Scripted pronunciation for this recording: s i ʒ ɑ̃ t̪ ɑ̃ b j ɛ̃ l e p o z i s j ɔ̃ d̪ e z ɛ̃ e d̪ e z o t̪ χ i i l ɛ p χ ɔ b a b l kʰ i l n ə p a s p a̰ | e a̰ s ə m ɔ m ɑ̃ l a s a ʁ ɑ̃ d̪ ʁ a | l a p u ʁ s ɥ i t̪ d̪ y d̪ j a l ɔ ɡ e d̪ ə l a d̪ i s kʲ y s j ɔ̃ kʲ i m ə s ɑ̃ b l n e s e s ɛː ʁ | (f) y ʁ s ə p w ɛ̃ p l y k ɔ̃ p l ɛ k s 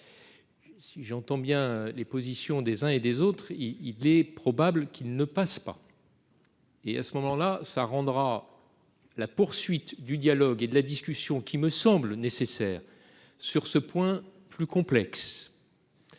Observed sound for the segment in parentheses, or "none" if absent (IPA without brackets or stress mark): s